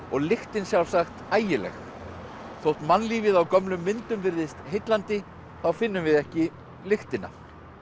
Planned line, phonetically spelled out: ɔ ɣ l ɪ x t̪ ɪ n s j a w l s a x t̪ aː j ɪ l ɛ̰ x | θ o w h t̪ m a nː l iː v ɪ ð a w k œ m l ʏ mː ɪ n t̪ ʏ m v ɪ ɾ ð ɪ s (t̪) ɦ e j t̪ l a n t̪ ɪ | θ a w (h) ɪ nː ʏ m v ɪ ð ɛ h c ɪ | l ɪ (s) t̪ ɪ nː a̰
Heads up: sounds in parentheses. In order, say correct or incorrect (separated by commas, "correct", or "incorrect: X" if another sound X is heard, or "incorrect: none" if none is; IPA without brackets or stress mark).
correct, incorrect: f, incorrect: x